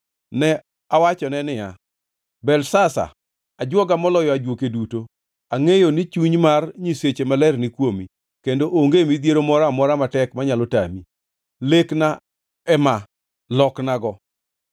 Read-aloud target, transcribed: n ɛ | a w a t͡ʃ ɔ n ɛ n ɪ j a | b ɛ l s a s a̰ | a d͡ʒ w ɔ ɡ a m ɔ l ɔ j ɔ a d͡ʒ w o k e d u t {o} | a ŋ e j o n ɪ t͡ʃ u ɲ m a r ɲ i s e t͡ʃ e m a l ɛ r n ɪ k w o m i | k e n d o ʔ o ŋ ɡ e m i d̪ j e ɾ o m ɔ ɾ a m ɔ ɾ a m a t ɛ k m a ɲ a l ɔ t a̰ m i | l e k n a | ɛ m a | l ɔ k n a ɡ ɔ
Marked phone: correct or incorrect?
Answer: correct